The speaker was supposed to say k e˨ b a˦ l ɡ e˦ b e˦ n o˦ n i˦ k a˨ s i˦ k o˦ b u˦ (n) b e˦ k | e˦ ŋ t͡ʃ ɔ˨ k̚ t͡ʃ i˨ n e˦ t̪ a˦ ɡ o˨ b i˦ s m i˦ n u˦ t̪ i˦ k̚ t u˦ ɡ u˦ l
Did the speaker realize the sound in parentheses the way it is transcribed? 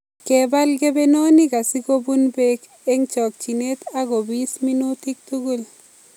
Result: yes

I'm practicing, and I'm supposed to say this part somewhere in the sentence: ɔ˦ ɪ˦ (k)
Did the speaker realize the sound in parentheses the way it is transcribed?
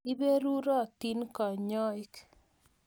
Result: yes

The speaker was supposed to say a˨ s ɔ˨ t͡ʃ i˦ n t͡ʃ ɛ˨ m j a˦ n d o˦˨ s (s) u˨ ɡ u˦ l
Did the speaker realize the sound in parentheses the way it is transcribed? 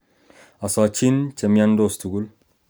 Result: no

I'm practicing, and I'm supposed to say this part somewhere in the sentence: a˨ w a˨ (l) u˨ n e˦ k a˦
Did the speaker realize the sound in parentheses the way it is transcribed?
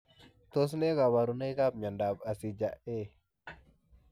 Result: no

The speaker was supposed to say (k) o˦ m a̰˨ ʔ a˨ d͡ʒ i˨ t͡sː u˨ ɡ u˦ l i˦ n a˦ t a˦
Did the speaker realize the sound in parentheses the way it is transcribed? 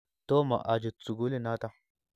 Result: no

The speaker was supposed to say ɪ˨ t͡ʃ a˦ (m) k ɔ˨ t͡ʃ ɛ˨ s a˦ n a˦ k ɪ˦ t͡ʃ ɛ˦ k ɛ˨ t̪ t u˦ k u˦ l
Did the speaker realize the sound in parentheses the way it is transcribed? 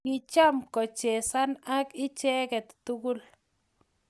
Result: yes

